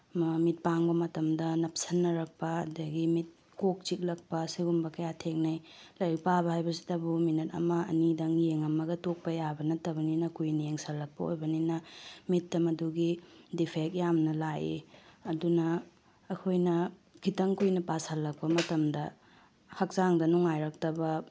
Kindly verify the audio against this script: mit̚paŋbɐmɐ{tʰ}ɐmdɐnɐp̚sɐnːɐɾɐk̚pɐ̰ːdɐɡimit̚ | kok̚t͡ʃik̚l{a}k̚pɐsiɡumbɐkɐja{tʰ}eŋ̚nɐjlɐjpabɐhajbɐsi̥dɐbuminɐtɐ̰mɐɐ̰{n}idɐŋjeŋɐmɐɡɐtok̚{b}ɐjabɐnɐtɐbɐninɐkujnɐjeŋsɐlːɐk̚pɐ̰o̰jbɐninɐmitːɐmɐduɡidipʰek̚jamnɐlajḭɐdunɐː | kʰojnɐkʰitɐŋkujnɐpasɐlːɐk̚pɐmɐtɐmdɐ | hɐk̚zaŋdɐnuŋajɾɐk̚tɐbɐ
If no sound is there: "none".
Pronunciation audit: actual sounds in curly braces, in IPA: t, ɐ, tʰ, n, p

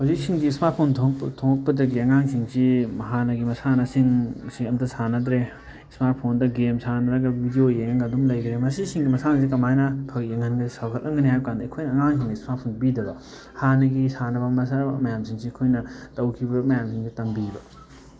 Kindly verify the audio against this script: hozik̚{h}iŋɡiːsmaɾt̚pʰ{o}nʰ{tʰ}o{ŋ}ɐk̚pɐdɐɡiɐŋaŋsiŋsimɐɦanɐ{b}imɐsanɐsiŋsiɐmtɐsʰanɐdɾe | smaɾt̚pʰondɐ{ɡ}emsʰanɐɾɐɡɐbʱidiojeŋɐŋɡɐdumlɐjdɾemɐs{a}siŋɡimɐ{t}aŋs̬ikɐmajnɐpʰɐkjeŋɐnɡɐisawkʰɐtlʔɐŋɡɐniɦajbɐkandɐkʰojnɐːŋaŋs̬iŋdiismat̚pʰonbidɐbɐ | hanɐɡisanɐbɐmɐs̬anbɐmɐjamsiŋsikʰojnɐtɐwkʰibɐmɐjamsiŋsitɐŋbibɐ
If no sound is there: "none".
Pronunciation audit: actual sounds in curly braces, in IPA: s, o, tʰ, ŋ, ɡ, ɡ, i, s

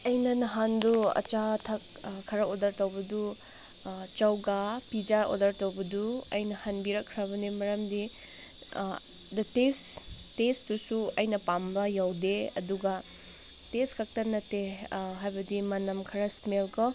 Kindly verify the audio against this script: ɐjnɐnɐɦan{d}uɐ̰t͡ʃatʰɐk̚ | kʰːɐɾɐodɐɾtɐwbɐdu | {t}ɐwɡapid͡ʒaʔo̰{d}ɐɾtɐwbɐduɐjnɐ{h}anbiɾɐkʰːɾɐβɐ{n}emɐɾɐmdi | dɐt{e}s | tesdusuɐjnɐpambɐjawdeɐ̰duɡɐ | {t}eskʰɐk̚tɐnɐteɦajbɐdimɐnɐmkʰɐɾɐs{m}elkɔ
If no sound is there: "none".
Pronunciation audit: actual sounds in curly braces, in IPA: d, t͡ʃ, d, h, n, e, t, m

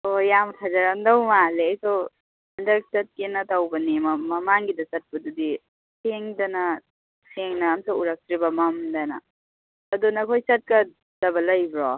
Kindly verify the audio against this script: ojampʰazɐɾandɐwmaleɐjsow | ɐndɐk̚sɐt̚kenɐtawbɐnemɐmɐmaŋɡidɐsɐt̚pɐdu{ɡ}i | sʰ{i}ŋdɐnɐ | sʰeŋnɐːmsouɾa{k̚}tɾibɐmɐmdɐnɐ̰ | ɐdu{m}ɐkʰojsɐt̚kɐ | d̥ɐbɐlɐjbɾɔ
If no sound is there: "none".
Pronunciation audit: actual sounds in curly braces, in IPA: d, e, k̚, n

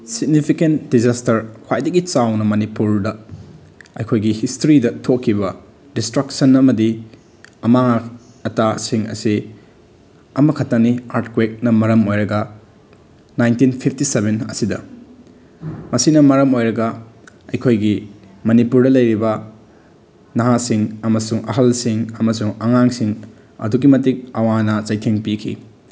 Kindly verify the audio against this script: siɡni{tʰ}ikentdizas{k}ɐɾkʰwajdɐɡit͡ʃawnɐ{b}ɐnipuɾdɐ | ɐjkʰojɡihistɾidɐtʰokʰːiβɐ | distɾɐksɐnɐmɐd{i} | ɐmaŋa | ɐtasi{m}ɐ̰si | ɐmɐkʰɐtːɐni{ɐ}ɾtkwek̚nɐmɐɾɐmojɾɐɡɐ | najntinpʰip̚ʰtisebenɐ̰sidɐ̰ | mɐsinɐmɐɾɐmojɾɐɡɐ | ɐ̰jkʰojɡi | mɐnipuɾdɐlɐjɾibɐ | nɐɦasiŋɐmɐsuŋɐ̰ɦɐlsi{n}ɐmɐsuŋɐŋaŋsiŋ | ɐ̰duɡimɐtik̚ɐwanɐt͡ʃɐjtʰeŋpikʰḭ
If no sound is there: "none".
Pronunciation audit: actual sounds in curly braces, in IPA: pʰ, t, m, i, ŋ, a, ŋ

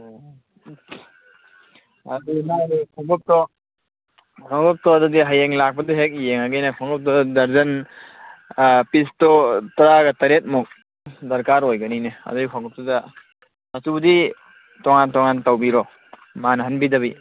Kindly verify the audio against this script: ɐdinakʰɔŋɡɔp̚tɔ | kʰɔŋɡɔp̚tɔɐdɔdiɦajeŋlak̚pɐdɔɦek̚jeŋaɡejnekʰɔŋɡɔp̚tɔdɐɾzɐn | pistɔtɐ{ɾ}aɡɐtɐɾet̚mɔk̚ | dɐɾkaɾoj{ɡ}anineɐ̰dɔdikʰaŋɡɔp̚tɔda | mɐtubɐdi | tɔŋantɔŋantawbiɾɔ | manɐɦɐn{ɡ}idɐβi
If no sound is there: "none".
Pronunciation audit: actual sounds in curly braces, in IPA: ɾ, ɡ, b

